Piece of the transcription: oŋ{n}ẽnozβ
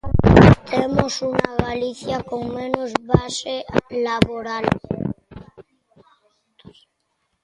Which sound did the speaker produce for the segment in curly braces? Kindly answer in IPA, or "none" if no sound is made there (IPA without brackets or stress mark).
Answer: m